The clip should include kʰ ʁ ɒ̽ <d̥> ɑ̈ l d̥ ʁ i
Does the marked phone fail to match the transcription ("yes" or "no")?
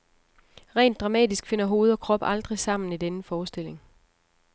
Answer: yes